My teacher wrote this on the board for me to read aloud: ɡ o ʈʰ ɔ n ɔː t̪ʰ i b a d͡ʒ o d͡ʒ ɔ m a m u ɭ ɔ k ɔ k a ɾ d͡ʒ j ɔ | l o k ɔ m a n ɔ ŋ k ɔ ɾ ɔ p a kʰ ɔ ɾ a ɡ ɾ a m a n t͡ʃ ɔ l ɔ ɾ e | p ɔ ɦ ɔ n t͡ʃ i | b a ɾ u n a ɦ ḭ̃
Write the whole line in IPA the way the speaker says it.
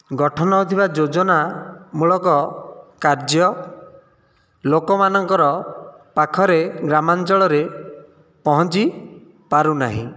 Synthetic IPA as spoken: ɡ ɔ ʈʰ ɔ n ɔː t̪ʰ i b a d͡ʒ o d͡ʒ ɔ n a m u ɭ ɔ k ɔ k a ɾ d͡ʒ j ɔ | l o k ɔ m a n ɔ ŋ k ɔ ɾ ɔ p a kʰ ɔ ɾ e ɡ ɾ a m a n t͡ʃ ɔ ɭ ɔ ɾ e | p ɔ ɦ ɔ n t͡ʃ i | p a ɾ u n a ɦ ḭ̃